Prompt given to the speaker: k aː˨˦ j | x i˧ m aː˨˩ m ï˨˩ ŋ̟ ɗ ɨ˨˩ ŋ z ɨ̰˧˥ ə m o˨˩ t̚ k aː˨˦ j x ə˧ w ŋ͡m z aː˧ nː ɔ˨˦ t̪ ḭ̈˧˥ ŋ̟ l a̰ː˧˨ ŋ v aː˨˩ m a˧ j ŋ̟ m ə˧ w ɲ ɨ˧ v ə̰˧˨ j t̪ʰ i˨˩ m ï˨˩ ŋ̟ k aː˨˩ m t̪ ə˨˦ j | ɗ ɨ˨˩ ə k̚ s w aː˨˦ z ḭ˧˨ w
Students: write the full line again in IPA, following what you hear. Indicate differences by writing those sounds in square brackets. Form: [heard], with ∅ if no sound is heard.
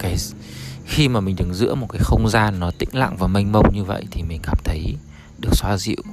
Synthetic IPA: k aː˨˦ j | x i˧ m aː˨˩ m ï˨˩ ŋ̟ ɗ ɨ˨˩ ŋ z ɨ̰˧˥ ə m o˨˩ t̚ k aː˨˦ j x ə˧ w ŋ͡m z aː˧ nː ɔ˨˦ t̪ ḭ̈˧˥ ŋ̟ l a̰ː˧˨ ŋ v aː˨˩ m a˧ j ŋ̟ m ə˧ w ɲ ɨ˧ v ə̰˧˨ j t̪ʰ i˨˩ m ï˨˩ ŋ̟ k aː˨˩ m [t̪ʰ] ə˨˦ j | ɗ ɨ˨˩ ə k̚ s w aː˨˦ z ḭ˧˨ w